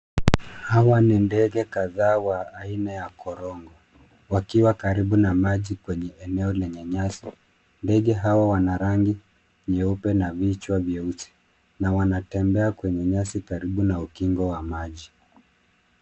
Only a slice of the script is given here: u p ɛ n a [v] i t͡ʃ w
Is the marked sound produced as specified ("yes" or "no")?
yes